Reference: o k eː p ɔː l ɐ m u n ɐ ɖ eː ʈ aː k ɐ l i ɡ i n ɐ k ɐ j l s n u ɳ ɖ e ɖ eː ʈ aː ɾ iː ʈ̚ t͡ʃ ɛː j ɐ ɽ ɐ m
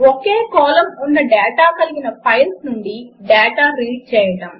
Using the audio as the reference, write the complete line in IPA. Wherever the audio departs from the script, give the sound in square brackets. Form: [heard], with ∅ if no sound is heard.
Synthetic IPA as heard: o k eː [k] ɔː l ɐ m u [nː] ɐ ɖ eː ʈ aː k ɐ l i ɡ i n ɐ [p] ɐ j l s n u ɳ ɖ [i] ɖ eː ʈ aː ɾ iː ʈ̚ t͡ʃ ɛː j ɐ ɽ ɐ m